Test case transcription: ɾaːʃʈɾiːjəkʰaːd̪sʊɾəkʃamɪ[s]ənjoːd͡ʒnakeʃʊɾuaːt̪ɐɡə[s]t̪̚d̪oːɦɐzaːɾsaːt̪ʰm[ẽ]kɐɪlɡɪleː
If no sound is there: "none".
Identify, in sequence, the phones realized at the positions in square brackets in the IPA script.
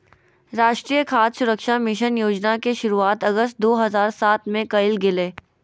ʃ, s, ẽ

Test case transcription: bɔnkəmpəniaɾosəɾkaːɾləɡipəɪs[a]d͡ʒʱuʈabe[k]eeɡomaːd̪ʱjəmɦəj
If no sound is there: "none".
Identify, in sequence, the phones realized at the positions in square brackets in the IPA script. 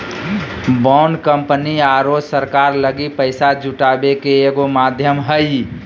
a, k

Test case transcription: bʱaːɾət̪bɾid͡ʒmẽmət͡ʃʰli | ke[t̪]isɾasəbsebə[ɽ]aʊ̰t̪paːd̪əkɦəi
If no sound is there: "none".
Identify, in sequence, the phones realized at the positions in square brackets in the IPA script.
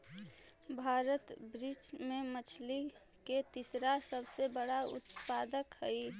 t̪, ɽ

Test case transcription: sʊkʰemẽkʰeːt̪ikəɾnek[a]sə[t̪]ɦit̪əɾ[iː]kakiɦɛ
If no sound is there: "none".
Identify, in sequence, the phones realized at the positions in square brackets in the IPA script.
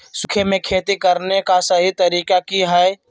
a, none, iː

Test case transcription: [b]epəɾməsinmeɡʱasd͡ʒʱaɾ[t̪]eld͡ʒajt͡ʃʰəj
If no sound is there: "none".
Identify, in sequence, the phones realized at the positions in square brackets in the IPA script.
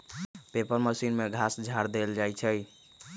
p, d̪

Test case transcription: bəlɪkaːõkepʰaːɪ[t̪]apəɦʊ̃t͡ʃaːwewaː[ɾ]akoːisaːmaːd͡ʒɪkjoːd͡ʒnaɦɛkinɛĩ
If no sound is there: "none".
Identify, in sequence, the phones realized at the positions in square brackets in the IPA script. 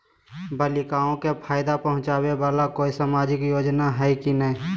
d̪, l

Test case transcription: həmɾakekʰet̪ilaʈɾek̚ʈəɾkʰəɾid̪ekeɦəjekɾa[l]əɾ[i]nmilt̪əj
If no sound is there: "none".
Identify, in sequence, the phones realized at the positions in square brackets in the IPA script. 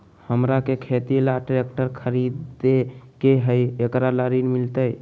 l, i

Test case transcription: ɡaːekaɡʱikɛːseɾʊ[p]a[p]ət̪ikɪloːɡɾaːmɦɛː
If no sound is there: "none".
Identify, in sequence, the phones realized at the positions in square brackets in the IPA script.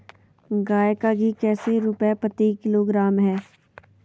p, p

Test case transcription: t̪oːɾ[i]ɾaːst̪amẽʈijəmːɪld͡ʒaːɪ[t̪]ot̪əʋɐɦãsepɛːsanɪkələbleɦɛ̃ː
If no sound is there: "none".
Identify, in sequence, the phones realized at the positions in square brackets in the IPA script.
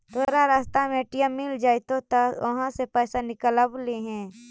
a, t̪

